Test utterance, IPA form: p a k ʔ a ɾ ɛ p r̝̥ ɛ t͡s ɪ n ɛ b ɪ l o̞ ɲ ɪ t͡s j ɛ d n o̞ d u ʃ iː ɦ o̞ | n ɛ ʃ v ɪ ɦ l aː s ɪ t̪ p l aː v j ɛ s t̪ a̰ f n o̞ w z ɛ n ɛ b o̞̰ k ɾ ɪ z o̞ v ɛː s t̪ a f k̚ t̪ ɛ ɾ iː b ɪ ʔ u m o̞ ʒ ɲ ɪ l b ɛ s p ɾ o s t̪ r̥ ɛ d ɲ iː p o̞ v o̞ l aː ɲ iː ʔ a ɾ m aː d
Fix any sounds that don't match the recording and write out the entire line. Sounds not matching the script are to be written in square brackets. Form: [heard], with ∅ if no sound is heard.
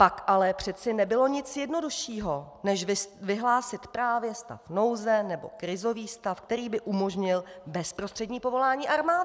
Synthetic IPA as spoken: p a k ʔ a [l] ɛ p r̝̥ ɛ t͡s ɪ n ɛ b ɪ l o̞ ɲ ɪ t͡s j ɛ d n o̞ d u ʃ iː ɦ o̞ | n ɛ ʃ v ɪ ɦ l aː s ɪ t̪ p [ɾ] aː v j ɛ s t̪ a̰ f n o̞ w z ɛ n ɛ b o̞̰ k ɾ ɪ z o̞ v [iː] s t̪ a f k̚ t̪ ɛ ɾ iː b ɪ ʔ u m o̞ ʒ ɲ ɪ l b ɛ s p ɾ o s t̪ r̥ ɛ d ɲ iː p o̞ v o̞ l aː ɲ iː ʔ a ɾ m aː d